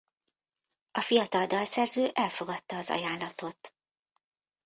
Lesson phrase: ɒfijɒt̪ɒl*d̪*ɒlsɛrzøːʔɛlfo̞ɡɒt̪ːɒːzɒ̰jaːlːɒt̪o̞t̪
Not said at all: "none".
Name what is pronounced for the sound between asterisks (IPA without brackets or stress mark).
d̪